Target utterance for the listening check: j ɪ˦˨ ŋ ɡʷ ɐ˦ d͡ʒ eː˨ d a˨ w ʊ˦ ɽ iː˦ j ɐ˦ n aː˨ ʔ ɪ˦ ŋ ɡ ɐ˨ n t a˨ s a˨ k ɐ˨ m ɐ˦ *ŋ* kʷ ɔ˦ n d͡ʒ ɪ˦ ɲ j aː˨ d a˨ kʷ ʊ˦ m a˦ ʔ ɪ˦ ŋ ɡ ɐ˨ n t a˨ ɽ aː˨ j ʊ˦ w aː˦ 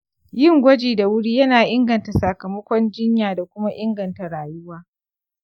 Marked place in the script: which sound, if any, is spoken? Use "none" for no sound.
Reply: none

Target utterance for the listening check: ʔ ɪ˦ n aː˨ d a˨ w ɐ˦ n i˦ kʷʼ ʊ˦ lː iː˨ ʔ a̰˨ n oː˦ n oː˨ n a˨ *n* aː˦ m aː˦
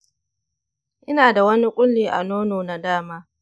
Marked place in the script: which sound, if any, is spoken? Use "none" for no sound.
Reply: d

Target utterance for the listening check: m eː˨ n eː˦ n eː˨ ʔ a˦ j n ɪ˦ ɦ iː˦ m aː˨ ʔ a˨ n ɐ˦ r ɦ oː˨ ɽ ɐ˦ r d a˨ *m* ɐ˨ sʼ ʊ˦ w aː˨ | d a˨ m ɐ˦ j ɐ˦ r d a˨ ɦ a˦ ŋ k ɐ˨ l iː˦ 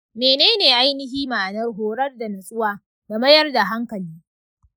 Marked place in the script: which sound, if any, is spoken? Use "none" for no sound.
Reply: n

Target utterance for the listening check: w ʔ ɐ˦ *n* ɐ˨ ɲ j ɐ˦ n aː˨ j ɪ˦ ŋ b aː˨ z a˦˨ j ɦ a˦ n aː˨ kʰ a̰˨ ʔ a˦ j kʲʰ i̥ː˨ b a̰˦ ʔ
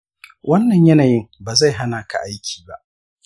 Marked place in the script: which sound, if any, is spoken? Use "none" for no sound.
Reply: nː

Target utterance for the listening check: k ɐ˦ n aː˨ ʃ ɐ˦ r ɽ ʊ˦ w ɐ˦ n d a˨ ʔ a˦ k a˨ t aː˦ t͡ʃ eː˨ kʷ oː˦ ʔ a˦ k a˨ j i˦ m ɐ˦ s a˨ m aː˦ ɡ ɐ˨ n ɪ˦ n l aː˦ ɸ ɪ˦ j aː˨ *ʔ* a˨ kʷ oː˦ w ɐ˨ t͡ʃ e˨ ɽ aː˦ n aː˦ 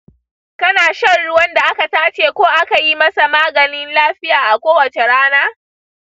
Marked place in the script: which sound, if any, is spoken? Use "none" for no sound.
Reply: ʔ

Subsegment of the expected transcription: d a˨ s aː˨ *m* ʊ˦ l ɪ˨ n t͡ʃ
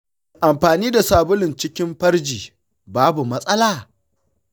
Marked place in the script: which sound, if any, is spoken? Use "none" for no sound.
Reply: b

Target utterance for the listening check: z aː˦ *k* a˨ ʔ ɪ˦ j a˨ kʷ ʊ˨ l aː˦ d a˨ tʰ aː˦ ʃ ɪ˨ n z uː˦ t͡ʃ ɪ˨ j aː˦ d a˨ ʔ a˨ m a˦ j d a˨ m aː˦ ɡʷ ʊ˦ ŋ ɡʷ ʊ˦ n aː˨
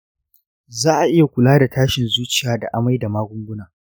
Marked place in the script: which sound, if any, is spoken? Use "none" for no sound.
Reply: ʔ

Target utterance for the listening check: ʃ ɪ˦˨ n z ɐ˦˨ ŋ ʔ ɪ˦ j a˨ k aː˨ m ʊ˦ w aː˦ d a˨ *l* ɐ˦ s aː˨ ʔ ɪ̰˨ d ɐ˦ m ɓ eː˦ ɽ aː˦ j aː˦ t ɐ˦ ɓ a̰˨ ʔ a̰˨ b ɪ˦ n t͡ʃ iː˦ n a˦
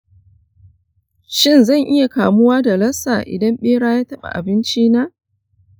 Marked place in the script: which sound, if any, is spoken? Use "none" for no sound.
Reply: l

